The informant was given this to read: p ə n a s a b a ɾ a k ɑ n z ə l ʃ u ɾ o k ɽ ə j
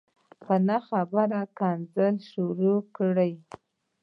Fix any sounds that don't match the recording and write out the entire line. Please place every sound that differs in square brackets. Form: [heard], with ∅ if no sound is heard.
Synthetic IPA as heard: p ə n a [x] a b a ɾ a k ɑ n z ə l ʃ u ɾ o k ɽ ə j